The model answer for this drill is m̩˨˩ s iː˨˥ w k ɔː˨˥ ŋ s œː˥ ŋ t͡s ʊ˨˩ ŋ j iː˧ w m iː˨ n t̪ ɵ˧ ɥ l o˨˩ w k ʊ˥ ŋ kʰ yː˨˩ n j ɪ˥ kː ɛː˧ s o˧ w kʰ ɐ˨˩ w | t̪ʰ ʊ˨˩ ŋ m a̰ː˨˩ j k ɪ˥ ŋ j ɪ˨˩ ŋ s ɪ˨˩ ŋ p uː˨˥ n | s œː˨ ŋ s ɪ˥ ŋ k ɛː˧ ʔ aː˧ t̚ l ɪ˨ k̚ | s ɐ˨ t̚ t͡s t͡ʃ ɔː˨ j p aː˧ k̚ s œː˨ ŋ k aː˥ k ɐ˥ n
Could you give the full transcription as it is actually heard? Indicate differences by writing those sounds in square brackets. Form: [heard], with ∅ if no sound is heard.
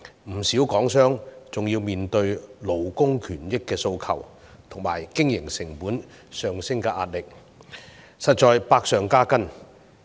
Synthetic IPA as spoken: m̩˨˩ s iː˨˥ w k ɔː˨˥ ŋ s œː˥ ŋ t͡s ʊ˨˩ ŋ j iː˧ w m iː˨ n t̪ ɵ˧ ɥ l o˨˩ w k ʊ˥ ŋ kʰ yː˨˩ n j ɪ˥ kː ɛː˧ s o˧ w kʰ ɐ˨˩ w | t̪ʰ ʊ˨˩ ŋ m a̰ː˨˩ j k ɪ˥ ŋ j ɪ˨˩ ŋ s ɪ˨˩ ŋ p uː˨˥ n | s œː˨ ŋ s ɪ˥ ŋ k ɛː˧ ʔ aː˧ t̚ l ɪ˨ k̚ | s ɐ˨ t̚ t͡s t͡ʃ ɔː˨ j p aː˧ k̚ s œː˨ ŋ k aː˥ k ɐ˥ n

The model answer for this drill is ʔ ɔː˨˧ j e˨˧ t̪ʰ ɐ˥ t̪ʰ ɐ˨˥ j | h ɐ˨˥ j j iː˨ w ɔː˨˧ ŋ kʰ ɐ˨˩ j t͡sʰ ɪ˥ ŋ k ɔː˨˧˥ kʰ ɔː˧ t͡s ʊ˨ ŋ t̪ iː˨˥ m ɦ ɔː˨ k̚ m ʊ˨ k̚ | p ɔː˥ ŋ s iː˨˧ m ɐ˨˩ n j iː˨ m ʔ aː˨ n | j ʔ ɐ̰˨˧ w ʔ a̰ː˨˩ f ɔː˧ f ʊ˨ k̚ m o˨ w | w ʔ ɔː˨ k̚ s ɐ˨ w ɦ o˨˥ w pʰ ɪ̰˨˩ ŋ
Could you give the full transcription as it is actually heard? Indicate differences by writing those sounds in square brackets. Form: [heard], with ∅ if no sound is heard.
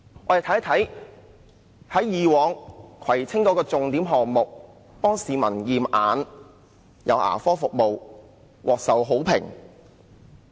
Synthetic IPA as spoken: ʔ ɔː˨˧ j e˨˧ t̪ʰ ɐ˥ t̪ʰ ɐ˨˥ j | h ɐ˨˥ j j iː˨ w ɔː˨˧ ŋ kʰ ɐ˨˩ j t͡sʰ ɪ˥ ŋ k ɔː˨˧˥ [k] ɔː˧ t͡s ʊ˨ ŋ t̪ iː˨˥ m ɦ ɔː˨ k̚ m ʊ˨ k̚ | p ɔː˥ ŋ s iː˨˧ m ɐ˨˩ n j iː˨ m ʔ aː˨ n | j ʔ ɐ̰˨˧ w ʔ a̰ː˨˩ f [ɔː˥] f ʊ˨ k̚ m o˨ w | w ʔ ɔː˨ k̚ s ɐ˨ w ɦ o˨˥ w pʰ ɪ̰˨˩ ŋ

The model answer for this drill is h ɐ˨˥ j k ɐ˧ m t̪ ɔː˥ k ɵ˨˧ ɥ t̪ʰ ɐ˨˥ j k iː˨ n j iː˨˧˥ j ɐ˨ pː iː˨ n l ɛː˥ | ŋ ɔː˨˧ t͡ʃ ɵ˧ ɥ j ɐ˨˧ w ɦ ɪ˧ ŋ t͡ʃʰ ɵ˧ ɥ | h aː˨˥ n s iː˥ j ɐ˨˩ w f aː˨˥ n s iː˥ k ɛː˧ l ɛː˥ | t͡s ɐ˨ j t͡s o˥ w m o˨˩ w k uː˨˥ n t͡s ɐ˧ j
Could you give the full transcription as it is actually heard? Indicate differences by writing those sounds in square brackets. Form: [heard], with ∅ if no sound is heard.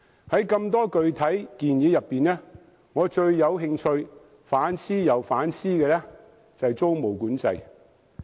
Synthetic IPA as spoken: h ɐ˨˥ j k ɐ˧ m t̪ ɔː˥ k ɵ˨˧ ɥ t̪ʰ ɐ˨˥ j k iː˨ n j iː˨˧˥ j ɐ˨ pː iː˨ n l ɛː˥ | ŋ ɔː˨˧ t͡ʃ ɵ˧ ɥ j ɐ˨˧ w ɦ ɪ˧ ŋ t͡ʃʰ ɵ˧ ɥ | [f] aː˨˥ n s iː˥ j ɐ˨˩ w f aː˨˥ n s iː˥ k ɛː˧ l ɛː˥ | t͡s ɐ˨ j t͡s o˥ w m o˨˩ w k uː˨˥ n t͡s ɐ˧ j

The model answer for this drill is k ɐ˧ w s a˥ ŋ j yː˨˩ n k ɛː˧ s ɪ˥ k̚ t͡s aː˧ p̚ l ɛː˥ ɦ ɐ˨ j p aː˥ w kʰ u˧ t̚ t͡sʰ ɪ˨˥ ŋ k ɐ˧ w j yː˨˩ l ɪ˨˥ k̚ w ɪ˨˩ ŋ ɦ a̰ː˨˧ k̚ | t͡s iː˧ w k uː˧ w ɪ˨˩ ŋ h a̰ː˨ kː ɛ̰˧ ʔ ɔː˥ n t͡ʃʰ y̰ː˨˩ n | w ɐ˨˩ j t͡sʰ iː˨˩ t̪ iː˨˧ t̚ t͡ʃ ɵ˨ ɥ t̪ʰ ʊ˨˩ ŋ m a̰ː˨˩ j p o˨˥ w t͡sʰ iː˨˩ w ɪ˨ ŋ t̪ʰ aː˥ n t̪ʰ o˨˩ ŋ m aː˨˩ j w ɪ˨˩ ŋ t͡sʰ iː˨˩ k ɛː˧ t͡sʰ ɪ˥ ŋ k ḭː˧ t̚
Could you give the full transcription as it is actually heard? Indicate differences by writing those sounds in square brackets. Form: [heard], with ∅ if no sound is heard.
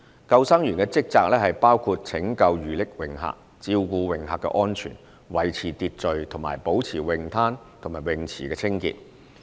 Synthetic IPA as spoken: k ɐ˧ w s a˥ ŋ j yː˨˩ n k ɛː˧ [t͡s] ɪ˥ k̚ t͡s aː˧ [k̚] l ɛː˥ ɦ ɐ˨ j p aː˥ w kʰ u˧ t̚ t͡sʰ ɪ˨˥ ŋ k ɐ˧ w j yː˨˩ l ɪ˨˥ k̚ w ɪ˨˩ ŋ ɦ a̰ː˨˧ k̚ | t͡s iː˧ w k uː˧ w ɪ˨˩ ŋ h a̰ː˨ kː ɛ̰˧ ʔ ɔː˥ n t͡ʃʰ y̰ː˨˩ n | w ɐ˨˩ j t͡sʰ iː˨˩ t̪ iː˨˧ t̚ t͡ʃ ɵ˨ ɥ t̪ʰ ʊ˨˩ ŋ m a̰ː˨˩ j p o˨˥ w t͡sʰ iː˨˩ w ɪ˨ ŋ t̪ʰ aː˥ n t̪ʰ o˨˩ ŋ m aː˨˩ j w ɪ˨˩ ŋ t͡sʰ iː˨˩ k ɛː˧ t͡sʰ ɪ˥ ŋ k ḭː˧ t̚

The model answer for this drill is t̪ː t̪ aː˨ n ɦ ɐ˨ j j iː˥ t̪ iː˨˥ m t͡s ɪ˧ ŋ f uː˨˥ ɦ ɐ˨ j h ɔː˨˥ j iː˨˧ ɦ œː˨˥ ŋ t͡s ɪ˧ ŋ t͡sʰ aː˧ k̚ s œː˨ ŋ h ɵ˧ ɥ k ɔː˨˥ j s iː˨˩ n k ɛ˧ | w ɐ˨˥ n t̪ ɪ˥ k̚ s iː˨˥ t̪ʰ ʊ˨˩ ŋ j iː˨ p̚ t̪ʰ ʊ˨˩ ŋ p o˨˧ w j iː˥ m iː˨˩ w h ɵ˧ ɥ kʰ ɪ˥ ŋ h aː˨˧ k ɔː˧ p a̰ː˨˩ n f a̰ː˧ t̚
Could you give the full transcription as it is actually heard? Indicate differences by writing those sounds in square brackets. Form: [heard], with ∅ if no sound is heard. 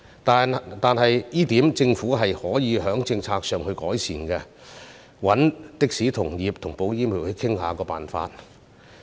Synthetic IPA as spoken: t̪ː t̪ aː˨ n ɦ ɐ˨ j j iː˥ t̪ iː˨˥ m t͡s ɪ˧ ŋ f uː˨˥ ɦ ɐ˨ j h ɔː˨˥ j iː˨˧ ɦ œː˨˥ ŋ t͡s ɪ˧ ŋ t͡sʰ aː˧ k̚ s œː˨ ŋ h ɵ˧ ɥ k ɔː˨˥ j s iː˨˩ n k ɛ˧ | w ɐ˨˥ n t̪ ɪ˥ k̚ s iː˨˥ t̪ʰ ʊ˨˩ ŋ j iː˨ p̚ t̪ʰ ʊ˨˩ ŋ p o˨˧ w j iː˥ m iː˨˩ w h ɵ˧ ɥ kʰ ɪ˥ ŋ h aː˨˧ k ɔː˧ p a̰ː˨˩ n f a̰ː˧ t̚

